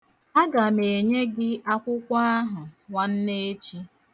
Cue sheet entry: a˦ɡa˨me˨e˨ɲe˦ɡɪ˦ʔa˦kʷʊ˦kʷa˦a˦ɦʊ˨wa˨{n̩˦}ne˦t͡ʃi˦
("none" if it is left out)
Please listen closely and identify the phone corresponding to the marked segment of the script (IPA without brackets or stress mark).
n̩˦